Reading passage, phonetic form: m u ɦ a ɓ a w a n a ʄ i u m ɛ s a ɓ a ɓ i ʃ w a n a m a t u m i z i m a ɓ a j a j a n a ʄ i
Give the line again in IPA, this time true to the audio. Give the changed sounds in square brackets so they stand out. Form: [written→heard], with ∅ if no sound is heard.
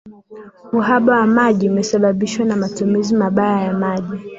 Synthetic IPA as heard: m u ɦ a ɓ a w a [n→m] a ʄ i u m ɛ s a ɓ a ɓ i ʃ w a n a m a t u m i z i m a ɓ a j a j a [n→m] a ʄ i

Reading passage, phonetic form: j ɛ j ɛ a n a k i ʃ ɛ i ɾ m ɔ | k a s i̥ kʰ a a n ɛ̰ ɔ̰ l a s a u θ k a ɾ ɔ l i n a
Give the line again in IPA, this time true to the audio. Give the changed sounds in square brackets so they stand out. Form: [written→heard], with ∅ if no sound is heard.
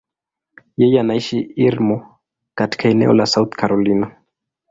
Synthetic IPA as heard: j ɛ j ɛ a n a [k→∅] i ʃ [ɛ→i] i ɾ m ɔ | k a [s→t] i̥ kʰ a [a→ɛ] n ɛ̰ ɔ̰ l a s a u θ k a ɾ ɔ l i n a

